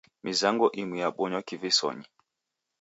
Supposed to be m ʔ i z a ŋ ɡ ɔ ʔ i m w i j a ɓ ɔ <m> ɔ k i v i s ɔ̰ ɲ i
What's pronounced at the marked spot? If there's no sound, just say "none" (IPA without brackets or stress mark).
ɲ